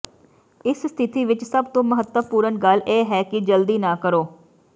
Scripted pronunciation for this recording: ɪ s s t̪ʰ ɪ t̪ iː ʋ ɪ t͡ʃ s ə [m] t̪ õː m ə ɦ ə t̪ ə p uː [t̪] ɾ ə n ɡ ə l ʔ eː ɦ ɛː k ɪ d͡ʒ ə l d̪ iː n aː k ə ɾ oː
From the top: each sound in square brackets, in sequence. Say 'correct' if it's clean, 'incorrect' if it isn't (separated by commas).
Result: incorrect, incorrect